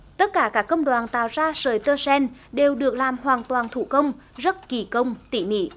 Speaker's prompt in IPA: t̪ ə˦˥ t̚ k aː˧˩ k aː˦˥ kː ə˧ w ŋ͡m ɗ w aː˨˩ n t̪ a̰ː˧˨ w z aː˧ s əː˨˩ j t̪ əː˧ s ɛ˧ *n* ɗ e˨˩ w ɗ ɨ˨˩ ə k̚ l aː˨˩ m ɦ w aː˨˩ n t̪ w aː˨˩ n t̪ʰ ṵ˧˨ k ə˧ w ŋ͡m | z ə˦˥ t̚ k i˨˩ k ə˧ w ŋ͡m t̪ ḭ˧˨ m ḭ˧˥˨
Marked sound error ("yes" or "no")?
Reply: no